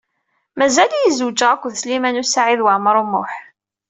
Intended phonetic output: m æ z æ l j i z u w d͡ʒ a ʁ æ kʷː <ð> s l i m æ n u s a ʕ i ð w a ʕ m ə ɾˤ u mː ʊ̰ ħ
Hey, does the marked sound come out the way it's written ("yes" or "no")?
yes